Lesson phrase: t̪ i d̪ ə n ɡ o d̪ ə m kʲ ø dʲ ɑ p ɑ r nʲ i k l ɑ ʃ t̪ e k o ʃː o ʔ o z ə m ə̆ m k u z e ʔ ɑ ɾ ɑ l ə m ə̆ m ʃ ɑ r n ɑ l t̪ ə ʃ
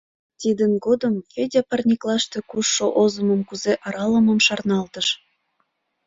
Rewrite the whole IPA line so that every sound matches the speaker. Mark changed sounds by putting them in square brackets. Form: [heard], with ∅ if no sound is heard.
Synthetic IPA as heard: t̪ i d̪ ə n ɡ o d̪ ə m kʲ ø dʲ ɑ p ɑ r nʲ i k l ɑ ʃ t̪ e k [u] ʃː o ʔ o z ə m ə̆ m k u z e ʔ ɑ ɾ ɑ l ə m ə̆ m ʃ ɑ r n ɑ l t̪ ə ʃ

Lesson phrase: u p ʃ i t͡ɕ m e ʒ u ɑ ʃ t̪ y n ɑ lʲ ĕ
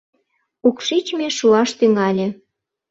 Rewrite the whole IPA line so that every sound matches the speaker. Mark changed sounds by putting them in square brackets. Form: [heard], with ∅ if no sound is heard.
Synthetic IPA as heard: u [k] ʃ i t͡ɕ m e [ʃ] u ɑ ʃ t̪ y [ŋ] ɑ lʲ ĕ

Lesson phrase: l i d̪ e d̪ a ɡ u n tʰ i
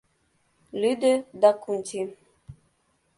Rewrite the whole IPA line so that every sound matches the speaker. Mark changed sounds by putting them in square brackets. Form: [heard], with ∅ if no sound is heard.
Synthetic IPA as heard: l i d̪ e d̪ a [k] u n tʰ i

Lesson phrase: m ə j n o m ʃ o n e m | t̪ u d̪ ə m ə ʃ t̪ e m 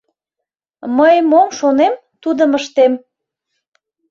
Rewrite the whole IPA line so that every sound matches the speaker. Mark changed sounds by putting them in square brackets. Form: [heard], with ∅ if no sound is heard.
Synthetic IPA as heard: m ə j [m] o m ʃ o n e m | t̪ u d̪ ə m ə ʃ t̪ e m

